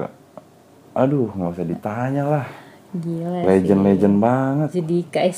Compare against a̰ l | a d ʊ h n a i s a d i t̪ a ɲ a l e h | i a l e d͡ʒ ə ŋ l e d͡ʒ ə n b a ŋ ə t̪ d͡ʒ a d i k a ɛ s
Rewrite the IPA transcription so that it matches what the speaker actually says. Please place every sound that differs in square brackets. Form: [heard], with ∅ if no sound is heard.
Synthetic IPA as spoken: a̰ [∅] | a d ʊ h [ŋ] a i s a d i t̪ a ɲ a l [a] h | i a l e d͡ʒ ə [n] l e d͡ʒ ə n b a ŋ ə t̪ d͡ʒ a d i k a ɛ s